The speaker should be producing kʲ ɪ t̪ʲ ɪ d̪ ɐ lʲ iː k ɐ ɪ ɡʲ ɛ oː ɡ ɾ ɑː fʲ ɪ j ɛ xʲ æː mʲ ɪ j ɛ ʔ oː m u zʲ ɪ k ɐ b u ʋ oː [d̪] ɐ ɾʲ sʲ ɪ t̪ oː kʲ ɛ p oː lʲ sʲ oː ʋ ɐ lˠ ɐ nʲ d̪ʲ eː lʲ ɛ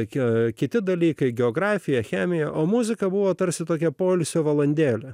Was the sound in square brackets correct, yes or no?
no